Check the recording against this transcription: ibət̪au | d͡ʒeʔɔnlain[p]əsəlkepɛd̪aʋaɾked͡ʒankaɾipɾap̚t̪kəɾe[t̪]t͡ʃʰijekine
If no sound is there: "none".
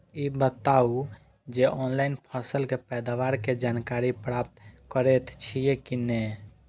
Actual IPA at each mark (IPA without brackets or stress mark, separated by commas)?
pʰ, t̪